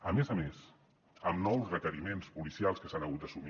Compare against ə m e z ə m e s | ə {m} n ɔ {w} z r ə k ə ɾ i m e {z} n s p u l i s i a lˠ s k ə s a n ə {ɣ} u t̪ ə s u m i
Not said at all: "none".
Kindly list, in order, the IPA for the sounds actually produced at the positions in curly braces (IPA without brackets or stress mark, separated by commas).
m, w, none, ɣ